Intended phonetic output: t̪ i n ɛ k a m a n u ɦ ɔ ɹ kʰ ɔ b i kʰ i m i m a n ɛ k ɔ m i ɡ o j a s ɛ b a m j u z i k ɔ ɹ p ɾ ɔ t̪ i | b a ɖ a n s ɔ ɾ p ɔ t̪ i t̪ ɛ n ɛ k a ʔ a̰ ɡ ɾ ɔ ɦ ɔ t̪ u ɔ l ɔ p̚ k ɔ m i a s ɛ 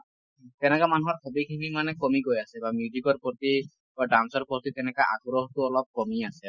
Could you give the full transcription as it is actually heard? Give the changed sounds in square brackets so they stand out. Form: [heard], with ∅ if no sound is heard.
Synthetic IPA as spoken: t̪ [ɛ] n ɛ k a m a n u ɦ ɔ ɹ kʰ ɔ b i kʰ i m i m a n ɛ k ɔ m i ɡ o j a s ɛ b a m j u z i k ɔ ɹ p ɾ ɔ t̪ i | b a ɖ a n s ɔ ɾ p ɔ t̪ i t̪ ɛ n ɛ k a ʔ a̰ ɡ ɾ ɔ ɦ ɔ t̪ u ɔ l ɔ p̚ k ɔ m i a s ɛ